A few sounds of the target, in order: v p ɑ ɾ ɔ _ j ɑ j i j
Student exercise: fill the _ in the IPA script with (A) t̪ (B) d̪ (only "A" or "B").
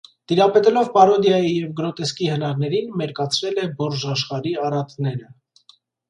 B